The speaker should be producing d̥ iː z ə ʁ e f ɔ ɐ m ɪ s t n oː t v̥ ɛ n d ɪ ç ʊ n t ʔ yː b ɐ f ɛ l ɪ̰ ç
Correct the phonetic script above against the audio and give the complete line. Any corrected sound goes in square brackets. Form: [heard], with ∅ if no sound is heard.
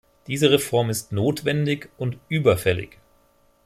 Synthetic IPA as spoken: d̥ iː z ə ʁ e f ɔ ɐ m ɪ s t n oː t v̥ ɛ n d ɪ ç ʊ n t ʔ yː b ɐ f ɛ l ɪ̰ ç